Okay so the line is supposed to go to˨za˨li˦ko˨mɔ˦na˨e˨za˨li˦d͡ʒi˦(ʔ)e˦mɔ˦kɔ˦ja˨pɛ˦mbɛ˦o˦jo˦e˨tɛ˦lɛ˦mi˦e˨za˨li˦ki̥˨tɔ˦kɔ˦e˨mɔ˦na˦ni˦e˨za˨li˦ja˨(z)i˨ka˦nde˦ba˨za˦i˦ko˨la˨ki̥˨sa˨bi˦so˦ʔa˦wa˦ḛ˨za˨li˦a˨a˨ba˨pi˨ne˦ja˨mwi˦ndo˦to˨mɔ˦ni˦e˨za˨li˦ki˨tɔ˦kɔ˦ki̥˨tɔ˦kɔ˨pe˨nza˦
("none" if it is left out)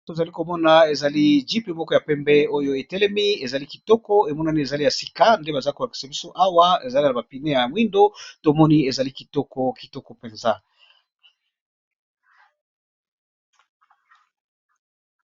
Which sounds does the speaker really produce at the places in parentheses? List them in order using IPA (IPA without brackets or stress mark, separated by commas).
p, s